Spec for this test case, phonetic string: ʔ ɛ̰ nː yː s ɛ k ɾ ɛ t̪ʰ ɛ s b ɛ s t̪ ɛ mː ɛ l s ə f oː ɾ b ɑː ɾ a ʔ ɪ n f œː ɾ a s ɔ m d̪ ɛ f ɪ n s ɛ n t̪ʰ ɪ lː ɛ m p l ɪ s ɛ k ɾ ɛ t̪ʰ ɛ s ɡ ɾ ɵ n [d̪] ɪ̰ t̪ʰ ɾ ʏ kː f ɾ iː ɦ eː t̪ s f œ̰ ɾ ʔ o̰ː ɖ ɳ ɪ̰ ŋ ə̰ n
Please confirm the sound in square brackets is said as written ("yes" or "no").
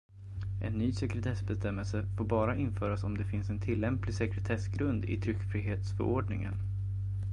yes